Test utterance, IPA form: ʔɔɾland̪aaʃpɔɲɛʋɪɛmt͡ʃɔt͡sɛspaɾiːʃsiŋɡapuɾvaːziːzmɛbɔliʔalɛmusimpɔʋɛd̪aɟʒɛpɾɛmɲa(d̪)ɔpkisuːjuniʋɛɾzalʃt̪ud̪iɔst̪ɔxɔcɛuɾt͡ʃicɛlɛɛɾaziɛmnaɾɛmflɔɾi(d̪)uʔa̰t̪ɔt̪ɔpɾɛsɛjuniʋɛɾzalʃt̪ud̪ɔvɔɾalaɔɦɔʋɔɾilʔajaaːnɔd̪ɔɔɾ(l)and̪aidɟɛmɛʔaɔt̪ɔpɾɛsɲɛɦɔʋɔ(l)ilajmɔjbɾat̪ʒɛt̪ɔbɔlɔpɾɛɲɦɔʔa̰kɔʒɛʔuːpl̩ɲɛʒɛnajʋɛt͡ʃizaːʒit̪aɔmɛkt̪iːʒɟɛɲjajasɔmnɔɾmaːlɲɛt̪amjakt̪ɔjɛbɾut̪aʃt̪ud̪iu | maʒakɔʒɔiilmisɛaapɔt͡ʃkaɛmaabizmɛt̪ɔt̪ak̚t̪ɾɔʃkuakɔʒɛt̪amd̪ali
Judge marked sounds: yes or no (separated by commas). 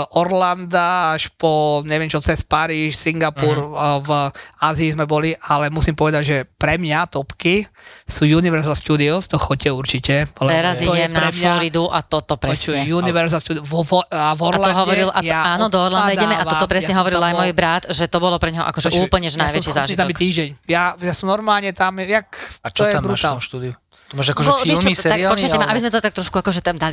no, yes, yes, no